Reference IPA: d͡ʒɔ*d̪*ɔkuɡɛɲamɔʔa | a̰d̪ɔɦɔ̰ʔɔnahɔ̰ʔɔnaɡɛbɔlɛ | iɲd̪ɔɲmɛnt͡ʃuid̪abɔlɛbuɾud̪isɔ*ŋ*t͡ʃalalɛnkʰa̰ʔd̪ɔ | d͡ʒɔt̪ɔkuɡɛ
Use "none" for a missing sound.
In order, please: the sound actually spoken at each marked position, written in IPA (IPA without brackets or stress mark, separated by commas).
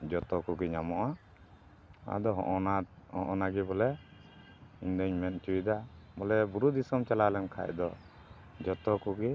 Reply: t̪, m